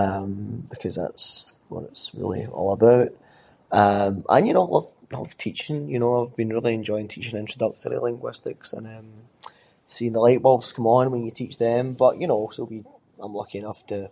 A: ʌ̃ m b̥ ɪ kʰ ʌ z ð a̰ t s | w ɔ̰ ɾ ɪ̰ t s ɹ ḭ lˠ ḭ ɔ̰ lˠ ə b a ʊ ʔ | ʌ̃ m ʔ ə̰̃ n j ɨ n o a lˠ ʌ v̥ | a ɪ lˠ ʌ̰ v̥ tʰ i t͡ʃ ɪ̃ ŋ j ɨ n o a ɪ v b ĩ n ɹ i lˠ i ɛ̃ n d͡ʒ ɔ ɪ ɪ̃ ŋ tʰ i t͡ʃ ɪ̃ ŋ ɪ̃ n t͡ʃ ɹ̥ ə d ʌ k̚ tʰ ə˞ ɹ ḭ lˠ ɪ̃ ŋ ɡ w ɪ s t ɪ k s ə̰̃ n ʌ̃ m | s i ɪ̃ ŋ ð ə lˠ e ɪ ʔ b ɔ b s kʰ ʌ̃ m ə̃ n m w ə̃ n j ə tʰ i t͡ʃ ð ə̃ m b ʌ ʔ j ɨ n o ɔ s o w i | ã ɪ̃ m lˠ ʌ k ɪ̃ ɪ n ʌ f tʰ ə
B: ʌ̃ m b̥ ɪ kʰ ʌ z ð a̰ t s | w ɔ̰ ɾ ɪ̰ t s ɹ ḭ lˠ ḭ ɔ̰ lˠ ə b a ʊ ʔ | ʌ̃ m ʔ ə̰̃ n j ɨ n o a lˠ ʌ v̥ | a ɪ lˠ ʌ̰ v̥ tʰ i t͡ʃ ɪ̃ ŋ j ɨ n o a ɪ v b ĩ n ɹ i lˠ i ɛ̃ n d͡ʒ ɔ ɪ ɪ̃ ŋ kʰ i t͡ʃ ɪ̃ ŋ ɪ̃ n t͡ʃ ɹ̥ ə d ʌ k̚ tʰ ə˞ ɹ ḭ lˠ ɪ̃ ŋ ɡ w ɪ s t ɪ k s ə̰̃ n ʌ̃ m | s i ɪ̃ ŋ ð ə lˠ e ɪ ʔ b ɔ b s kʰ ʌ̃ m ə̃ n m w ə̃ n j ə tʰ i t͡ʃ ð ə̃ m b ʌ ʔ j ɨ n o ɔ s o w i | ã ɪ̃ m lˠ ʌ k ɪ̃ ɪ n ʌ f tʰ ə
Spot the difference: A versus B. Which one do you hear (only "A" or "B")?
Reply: A